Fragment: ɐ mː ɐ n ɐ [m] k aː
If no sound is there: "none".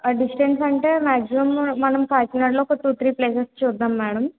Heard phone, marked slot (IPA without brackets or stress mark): m